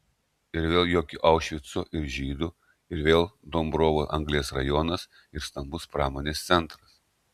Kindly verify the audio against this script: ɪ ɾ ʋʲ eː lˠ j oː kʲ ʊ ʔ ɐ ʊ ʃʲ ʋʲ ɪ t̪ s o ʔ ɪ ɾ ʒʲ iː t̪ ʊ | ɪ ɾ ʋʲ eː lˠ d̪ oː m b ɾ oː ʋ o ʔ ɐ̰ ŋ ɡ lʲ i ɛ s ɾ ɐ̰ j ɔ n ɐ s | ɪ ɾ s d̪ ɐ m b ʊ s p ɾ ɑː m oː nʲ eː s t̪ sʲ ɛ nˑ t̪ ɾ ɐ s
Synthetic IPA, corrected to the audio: ɪ ɾ ʋʲ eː lˠ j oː kʲ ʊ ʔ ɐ ʊ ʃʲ ʋʲ ɪ t̪ s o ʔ ɪ ɾ ʒʲ iː d̪ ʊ | ɪ ɾ ʋʲ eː lˠ d̪ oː m b ɾ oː ʋ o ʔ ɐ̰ ŋ ɡ lʲ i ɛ s ɾ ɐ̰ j ɔ n ɐ s | ɪ ɾ s t̪ ɐ m b ʊ s p ɾ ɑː m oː nʲ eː s t̪ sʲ ɛ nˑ t̪ ɾ ɐ s